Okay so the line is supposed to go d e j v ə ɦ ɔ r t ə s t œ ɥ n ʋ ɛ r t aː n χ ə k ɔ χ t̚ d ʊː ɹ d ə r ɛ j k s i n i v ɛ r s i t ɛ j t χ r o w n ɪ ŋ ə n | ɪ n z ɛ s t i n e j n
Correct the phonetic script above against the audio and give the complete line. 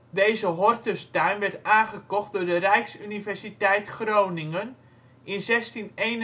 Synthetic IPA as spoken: d e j z ə ɦ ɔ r t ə s t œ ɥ n ʋ ɛ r t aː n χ ə k ɔ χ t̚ d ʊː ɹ d ə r ɛ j k s y n i v ɛ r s i t ɛ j t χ r o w n ɪ ŋ ə n | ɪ n z ɛ s t i n e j n